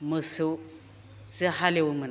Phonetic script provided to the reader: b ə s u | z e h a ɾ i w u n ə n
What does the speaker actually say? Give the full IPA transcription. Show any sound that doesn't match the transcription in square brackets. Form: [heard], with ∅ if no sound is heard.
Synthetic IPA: [m] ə s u | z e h a [l] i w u [m] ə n